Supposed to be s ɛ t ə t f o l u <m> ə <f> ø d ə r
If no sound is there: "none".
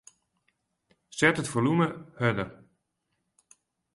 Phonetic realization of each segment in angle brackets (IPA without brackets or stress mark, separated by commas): m, h